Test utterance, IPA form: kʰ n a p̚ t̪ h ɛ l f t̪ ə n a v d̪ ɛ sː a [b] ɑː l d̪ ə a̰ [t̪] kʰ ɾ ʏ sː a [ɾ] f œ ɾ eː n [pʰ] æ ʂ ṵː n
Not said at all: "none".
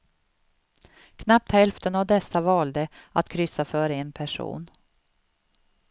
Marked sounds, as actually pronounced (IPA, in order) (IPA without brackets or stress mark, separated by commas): v, t̪, none, pʰ